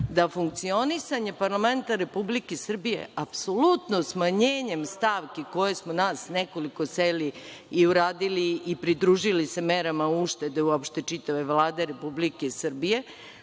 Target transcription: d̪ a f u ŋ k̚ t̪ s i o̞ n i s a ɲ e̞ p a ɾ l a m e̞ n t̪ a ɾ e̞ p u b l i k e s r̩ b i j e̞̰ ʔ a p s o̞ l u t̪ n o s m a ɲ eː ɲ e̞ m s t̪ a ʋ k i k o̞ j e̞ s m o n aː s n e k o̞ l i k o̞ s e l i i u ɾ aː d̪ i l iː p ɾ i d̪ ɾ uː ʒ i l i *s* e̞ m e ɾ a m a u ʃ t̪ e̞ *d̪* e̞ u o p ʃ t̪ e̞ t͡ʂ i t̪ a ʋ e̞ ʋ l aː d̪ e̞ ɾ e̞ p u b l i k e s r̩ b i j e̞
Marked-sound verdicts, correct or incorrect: correct, correct

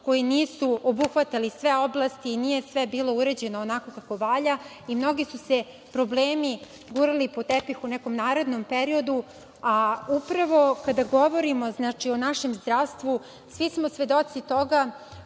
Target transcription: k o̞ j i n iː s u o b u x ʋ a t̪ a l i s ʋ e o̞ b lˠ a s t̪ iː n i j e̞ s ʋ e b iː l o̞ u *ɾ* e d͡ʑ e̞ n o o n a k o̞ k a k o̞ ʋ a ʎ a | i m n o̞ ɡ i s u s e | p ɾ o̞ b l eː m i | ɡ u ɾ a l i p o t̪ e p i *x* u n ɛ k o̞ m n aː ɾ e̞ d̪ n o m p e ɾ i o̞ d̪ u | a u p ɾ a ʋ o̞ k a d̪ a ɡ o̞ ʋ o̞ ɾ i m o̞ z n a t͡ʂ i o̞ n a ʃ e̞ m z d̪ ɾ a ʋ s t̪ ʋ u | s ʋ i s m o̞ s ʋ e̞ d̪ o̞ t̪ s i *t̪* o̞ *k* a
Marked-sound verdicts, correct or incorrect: correct, correct, correct, incorrect: ɡ

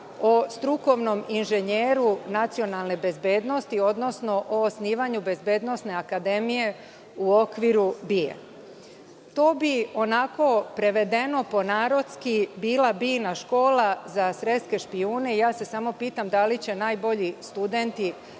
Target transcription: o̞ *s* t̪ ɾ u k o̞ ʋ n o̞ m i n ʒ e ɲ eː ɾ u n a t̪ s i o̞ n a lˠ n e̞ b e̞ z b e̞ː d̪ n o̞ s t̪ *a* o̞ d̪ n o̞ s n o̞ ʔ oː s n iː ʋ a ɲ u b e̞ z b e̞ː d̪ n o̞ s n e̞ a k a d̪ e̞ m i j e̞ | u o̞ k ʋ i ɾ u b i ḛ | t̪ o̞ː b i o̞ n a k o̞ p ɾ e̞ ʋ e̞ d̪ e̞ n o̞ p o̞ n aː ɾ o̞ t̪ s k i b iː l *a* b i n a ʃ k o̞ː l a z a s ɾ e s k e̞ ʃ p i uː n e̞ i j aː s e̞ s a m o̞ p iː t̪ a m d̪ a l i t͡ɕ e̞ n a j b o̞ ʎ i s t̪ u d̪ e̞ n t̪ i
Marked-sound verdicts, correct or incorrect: correct, incorrect: i, correct

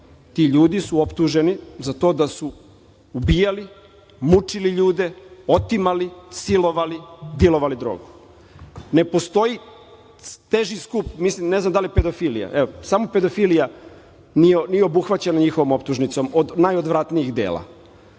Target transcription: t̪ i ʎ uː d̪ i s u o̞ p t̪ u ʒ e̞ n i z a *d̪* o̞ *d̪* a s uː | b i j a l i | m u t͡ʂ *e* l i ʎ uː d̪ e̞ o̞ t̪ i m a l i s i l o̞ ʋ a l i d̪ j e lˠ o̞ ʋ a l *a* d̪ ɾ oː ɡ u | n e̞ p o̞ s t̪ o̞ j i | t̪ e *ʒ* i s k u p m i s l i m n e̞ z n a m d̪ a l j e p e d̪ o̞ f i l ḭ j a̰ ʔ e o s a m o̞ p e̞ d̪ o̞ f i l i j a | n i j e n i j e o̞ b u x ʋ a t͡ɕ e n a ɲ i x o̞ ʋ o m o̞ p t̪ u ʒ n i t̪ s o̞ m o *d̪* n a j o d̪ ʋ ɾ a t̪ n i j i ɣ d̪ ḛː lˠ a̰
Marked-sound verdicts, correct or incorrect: incorrect: t̪, correct, incorrect: i, incorrect: i, correct, correct

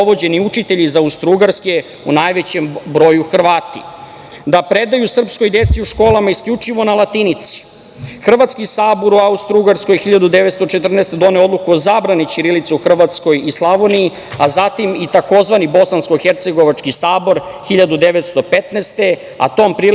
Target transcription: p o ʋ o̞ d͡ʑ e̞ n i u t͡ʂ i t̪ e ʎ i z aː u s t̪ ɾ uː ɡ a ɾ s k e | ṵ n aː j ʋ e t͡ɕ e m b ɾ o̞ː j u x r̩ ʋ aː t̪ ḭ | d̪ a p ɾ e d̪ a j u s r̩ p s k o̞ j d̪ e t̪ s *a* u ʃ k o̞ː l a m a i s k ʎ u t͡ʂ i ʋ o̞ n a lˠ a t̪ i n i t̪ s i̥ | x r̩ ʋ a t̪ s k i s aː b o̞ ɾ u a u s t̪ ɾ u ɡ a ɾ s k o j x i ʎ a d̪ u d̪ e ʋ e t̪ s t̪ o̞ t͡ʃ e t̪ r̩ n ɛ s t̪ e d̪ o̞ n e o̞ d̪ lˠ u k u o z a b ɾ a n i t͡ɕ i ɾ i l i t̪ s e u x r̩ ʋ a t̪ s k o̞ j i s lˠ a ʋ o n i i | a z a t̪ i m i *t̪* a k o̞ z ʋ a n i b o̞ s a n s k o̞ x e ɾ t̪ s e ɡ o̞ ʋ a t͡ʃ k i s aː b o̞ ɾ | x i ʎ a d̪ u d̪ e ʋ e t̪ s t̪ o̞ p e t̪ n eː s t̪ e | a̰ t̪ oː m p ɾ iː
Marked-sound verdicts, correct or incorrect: incorrect: i, correct

